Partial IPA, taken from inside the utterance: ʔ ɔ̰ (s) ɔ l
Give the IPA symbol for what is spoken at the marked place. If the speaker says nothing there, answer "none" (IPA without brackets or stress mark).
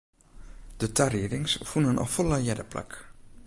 f